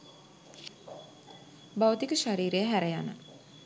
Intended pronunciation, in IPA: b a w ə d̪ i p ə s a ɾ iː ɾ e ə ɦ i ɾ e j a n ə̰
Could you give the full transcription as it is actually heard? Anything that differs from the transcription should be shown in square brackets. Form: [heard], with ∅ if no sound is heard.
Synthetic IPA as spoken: b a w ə [t̪] i [k] ə [ʃ] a ɾ iː ɾ e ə ɦ [æ] ɾ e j a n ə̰